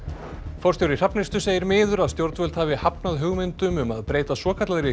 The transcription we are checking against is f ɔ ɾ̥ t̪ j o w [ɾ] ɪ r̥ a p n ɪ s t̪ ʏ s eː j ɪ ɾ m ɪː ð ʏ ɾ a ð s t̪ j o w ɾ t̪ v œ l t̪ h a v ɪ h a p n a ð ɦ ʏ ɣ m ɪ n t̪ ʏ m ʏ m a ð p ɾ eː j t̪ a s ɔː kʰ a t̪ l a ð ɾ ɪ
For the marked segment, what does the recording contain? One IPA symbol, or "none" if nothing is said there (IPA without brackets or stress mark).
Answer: ɾ